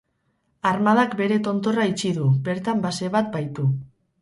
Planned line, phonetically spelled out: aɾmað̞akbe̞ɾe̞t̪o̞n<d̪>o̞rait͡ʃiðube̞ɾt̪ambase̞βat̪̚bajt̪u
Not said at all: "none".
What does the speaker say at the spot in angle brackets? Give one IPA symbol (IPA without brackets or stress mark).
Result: t̪